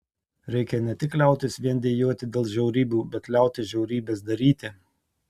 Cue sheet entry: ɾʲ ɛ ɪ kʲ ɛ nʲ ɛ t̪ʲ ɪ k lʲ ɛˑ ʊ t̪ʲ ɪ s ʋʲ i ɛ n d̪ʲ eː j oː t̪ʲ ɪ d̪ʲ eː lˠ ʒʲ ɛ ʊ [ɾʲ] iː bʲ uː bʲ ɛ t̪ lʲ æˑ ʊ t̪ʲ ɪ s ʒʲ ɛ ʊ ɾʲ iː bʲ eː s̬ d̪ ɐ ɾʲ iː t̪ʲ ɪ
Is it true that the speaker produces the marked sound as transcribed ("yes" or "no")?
yes